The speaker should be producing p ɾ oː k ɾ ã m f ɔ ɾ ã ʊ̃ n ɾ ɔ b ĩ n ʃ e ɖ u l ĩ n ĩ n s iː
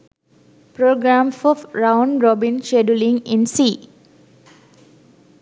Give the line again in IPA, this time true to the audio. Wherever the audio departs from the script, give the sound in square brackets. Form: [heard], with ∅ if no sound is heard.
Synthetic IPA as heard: p ɾ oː [ɡ] ɾ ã m f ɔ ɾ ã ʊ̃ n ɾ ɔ b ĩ n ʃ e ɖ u l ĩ [ŋ] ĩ n s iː